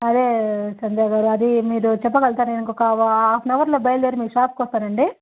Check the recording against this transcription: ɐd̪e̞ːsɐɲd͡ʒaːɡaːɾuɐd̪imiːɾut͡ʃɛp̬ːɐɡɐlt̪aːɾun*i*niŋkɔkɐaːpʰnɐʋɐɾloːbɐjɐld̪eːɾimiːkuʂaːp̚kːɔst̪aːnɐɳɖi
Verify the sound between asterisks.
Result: incorrect: e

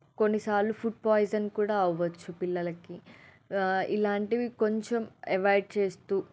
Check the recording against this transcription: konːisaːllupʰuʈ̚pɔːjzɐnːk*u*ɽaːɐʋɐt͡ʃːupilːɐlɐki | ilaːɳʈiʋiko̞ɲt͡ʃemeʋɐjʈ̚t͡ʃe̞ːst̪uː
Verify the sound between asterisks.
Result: incorrect: uː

